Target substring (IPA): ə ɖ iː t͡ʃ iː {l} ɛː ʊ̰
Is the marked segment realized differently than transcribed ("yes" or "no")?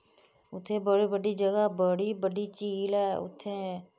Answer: no